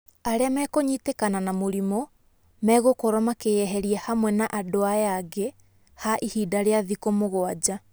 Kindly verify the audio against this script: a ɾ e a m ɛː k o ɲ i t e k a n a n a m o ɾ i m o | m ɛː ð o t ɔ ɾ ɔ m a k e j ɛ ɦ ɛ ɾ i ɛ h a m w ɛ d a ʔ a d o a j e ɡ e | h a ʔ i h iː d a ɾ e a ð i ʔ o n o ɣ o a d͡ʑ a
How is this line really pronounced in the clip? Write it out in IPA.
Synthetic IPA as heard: a ɾ e a m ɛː k o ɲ i t e k a n a n a m o ɾ i m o | m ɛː ɣ o k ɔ ɾ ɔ m a k e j ɛ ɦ ɛ ɾ i ɛ h a m w ɛ n a ʔ a d o a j a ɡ e | h a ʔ i h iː d a ɾ e a ð i k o m o ɣ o a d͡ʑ a